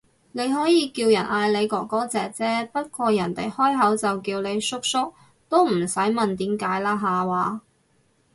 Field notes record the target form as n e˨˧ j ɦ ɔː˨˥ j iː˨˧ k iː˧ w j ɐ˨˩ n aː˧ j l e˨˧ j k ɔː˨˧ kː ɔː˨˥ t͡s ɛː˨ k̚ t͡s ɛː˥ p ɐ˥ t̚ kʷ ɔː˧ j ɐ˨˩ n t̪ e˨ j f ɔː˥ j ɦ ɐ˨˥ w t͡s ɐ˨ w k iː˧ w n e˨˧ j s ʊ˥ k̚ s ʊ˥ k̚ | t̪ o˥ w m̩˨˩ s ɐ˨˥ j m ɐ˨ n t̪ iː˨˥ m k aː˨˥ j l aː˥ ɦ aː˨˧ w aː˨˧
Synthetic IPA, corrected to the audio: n e˨˧ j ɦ ɔː˨˥ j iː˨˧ k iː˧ w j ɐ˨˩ n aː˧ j l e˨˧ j k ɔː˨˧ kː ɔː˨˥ t͡s ɛː˨ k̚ t͡s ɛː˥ p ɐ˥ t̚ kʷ ɔː˧ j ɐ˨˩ n t̪ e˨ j h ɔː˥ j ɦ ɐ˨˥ w t͡s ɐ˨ w k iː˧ w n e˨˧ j s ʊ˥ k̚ s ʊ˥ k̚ | t̪ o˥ w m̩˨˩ s ɐ˨˥ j m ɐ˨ n t̪ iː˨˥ m k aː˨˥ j l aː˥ ɦ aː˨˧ w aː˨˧